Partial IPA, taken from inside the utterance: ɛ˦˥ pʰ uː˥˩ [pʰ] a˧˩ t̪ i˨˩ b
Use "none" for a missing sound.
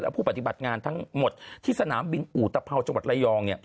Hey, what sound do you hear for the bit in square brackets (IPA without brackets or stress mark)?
p